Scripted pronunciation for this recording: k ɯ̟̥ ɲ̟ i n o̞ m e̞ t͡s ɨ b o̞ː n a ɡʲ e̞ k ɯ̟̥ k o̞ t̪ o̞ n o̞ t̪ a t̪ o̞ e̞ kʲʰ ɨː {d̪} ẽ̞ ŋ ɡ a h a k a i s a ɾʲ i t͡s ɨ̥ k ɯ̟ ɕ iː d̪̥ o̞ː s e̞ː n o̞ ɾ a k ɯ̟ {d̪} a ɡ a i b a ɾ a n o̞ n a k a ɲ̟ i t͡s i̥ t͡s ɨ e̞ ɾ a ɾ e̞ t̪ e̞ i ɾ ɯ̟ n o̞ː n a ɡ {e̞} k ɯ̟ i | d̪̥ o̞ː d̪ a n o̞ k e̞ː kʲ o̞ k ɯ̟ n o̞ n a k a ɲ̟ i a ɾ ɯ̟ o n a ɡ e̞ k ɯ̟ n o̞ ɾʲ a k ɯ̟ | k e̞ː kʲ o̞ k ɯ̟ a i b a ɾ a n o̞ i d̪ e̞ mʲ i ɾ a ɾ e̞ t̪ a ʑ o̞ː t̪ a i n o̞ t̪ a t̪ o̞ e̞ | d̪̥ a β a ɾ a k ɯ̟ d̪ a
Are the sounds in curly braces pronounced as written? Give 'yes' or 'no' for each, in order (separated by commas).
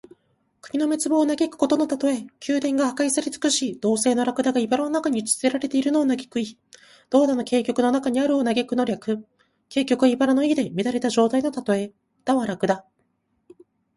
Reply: yes, yes, yes